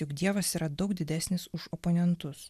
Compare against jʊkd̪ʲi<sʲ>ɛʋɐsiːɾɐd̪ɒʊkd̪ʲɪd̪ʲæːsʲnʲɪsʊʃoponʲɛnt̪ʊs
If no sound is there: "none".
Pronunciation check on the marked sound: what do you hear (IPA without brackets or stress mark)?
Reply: none